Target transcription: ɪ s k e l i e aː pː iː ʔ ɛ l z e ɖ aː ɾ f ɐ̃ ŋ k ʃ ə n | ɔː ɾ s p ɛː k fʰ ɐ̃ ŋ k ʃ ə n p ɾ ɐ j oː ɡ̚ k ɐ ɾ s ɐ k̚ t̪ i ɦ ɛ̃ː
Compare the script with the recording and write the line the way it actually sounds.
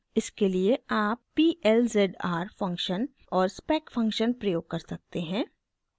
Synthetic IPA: ɪ s k e l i e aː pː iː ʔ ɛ l z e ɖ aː ɾ f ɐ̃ ŋ k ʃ ə n | ɔː ɾ s p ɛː k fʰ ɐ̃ ŋ k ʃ ə n p ɾ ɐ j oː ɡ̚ k ɐ ɾ s ɐ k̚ t̪ e ɦ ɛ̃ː